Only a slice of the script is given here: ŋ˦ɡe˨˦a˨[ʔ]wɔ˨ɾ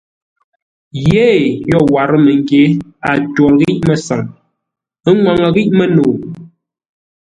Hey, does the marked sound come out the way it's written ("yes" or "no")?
no